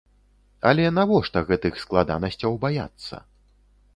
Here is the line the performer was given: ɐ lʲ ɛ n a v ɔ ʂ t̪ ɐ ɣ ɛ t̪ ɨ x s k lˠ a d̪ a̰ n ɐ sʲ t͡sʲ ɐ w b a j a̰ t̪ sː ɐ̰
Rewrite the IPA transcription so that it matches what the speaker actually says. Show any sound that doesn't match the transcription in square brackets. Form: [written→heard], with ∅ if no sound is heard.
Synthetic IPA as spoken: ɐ lʲ ɛ n a v ɔ ʂ t̪ ɐ ɣ ɛ t̪ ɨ x s k lˠ a d̪ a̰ n ɐ sʲ t͡sʲ ɐ w b a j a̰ t̪ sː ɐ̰

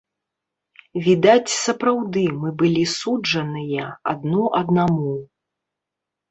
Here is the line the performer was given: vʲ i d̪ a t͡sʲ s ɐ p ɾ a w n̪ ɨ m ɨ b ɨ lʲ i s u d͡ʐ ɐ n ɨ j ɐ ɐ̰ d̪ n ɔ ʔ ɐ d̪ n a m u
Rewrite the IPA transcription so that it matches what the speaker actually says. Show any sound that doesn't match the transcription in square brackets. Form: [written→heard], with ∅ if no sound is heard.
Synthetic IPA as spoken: vʲ i d̪ a t͡sʲ s ɐ p ɾ a w [n̪→d̪] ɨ m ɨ b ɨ lʲ i s u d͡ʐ ɐ n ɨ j ɐ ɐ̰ d̪ n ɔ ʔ ɐ d̪ n a m u

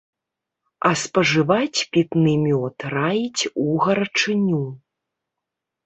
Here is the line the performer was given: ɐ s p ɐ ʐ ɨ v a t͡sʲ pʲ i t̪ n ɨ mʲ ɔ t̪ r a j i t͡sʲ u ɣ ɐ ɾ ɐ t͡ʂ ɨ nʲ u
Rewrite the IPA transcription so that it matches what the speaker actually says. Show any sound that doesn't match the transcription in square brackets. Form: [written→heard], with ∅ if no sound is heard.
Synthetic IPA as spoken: ɐ s p ɐ ʐ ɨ v a t͡sʲ pʲ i t̪ n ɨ mʲ ɔ t̪ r a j i t͡sʲ u ɣ ɐ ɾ ɐ t͡ʂ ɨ nʲ u

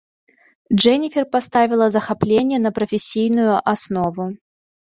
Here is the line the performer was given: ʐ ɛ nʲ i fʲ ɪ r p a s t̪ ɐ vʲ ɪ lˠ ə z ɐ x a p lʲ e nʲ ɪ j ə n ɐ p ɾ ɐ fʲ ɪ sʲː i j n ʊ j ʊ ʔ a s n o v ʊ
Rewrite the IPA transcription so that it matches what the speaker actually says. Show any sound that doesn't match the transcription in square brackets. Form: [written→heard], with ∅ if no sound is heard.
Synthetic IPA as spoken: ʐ ɛ nʲ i fʲ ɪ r p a s t̪ [ɐ→a] vʲ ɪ lˠ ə z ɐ x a p lʲ e nʲ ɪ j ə n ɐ p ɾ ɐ fʲ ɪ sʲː i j n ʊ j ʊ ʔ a s n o v ʊ

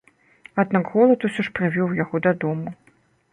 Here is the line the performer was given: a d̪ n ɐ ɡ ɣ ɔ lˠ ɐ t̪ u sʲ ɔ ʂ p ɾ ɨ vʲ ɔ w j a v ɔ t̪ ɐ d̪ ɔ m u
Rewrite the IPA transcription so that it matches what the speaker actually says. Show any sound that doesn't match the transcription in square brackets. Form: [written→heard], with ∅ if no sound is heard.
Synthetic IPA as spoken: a d̪ n [ɐ→a] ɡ ɣ ɔ lˠ ɐ t̪ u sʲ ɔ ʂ p ɾ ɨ vʲ ɔ w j a [v→ɣ] ɔ [t̪→d̪] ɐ d̪ ɔ m u

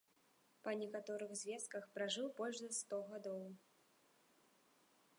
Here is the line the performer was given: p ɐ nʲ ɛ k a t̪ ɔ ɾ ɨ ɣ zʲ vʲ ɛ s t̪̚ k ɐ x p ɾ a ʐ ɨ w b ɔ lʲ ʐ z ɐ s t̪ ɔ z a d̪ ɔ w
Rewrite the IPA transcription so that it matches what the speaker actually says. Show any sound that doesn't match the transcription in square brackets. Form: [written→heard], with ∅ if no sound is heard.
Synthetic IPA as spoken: p ɐ nʲ ɛ k a t̪ ɔ ɾ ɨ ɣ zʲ vʲ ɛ s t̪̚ k ɐ x p ɾ a ʐ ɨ w b ɔ lʲ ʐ z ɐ s t̪ ɔ [z→ɣ] a d̪ ɔ w

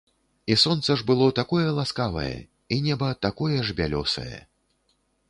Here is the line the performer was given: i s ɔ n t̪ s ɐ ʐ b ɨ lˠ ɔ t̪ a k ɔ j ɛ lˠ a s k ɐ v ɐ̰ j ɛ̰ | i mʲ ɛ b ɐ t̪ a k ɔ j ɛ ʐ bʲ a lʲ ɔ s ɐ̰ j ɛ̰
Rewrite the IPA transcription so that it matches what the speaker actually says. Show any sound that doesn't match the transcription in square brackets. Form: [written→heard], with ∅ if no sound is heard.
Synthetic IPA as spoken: i s ɔ n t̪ s ɐ ʐ b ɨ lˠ ɔ t̪ a k ɔ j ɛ lˠ a s k [ɐ→a] v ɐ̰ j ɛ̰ | i [mʲ→nʲ] ɛ b ɐ t̪ a k ɔ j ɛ ʐ bʲ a lʲ ɔ s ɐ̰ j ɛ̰

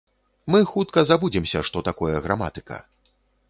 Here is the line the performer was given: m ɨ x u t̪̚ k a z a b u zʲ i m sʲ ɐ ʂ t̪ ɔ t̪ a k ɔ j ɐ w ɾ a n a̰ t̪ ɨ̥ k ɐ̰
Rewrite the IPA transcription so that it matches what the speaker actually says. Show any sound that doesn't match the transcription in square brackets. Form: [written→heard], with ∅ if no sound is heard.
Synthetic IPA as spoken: m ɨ x u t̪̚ k [a→ɐ] z a b u [zʲ→d͡zʲ] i m sʲ ɐ ʂ t̪ ɔ t̪ a k ɔ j ɐ [w→ɣ] ɾ a [n→m] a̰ t̪ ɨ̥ k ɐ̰

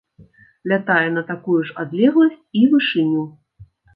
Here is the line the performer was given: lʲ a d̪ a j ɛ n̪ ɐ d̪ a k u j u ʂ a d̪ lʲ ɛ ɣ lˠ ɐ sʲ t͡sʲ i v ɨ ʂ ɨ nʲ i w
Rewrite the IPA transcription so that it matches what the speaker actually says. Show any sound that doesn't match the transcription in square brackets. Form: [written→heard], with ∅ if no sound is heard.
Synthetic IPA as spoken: lʲ a [d̪→t̪] a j ɛ n̪ ɐ [d̪→t̪] a k u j u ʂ a d̪ lʲ ɛ ɣ lˠ ɐ sʲ t͡sʲ i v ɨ ʂ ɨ nʲ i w

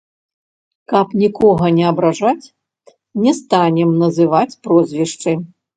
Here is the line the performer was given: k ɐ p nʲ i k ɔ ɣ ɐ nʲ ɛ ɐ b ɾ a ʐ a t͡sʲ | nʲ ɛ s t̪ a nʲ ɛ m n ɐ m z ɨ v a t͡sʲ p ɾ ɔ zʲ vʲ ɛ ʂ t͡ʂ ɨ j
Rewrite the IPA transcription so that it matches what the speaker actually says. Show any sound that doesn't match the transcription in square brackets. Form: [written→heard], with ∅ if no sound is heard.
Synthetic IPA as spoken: k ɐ p nʲ i k ɔ ɣ ɐ nʲ ɛ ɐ b ɾ a ʐ a t͡sʲ | nʲ ɛ s t̪ a nʲ ɛ m n ɐ [m→∅] z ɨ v a t͡sʲ p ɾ ɔ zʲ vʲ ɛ ʂ t͡ʂ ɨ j

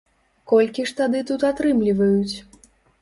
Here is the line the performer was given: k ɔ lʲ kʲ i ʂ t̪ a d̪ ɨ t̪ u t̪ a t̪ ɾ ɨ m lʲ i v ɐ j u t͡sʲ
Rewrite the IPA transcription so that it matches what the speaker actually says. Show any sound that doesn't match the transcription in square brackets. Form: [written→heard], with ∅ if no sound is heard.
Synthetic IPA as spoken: k ɔ lʲ kʲ i ʂ t̪ a d̪ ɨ t̪ u t̪ a t̪ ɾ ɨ m lʲ i v ɐ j u t͡sʲ

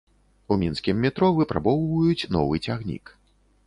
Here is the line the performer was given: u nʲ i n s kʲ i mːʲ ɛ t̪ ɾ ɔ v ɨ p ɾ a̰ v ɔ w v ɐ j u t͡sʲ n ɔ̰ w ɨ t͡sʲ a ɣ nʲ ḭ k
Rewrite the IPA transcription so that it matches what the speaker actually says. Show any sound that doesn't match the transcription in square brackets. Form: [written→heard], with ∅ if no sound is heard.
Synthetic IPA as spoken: u [nʲ→mʲ] i n s kʲ i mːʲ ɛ t̪ ɾ ɔ v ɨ p ɾ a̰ [v→b] ɔ w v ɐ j u t͡sʲ n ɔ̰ [w→v] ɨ t͡sʲ a ɣ nʲ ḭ k

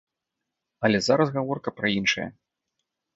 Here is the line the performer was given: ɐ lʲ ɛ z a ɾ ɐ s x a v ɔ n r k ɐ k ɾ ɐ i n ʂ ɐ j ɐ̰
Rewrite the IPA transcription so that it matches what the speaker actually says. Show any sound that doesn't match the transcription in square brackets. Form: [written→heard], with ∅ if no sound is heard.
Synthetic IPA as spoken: ɐ lʲ ɛ z a ɾ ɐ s [x→ɣ] a v ɔ [n→∅] r k ɐ [k→p] ɾ ɐ i n ʂ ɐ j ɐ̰

